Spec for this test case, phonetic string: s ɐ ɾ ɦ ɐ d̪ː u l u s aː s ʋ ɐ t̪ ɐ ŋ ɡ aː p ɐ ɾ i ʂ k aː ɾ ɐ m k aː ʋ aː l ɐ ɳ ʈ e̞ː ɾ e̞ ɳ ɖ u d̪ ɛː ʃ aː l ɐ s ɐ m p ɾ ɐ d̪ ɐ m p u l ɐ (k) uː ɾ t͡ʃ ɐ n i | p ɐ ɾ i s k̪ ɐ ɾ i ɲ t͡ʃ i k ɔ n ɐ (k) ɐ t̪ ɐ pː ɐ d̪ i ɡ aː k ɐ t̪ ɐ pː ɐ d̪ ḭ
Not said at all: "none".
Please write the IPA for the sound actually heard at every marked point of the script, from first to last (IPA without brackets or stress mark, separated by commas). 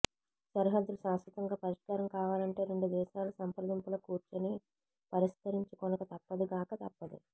k, k